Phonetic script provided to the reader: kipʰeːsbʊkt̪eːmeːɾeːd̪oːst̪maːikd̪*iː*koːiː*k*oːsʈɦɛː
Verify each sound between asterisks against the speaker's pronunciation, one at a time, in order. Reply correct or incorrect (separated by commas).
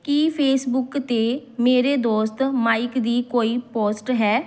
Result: correct, incorrect